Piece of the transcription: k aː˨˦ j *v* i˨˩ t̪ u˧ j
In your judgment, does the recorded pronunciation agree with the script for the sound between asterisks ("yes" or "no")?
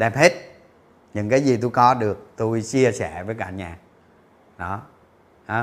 no